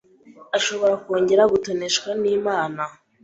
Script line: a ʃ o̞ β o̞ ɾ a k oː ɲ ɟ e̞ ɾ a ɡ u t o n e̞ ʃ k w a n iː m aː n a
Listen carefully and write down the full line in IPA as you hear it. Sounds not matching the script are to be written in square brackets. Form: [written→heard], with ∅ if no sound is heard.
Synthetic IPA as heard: a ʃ o̞ β o̞ ɾ a k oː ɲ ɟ e̞ ɾ a ɡ u t o n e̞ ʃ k w a n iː m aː n a